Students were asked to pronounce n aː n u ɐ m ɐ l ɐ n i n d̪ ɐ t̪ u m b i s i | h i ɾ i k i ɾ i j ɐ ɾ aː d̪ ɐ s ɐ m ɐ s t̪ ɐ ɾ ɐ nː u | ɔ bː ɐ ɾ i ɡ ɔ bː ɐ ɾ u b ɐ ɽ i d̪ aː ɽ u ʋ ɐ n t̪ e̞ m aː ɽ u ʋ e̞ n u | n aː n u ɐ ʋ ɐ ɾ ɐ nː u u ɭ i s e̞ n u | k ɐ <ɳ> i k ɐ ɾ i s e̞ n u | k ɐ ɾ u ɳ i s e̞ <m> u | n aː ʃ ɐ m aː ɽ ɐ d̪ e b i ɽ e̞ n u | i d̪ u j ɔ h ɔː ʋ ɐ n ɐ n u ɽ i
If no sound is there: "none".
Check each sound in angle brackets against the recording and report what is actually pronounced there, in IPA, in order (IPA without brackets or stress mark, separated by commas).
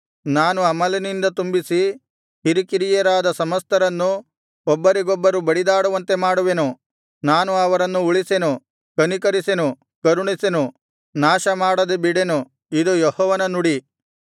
n, n